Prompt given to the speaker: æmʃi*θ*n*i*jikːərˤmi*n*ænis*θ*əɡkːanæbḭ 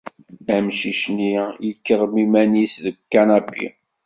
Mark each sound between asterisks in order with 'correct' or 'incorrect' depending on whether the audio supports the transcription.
incorrect: ʃ, correct, incorrect: m, incorrect: ð

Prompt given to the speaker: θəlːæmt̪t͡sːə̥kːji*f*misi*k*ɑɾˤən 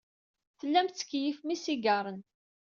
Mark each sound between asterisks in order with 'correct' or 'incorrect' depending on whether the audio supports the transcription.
correct, incorrect: ɡ

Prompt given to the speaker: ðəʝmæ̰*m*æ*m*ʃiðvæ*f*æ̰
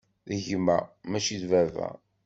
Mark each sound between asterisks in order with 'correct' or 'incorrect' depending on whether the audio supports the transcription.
correct, incorrect: none, incorrect: v

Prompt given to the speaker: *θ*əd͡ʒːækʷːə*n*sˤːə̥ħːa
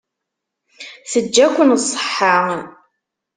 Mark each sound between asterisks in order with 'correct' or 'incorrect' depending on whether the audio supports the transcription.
correct, correct

